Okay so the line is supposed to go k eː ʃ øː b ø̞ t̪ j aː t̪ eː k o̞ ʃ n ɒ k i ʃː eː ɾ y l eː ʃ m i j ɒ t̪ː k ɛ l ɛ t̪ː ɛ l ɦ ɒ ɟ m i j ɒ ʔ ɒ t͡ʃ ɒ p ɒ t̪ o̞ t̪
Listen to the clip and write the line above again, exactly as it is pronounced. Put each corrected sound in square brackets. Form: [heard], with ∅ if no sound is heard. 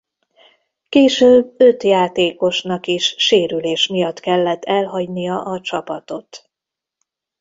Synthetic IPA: k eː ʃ øː b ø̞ t̪ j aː t̪ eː k o̞ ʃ n ɒ k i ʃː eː ɾ y l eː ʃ m i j ɒ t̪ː k ɛ [lː] ɛ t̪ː ɛ l ɦ ɒ ɟ [n] i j ɒ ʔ ɒ t͡ʃ ɒ p ɒ t̪ o̞ t̪